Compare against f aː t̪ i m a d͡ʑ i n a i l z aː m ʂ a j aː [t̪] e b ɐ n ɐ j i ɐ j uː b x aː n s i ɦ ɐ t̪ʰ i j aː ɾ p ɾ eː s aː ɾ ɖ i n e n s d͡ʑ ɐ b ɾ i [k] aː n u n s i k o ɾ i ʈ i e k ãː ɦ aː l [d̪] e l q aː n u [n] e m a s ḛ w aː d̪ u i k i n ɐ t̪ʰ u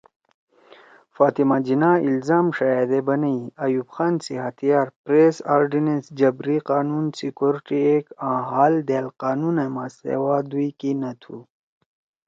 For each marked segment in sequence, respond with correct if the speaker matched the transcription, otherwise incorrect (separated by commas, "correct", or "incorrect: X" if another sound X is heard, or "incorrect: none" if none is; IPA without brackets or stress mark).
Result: incorrect: d̪, incorrect: q, correct, correct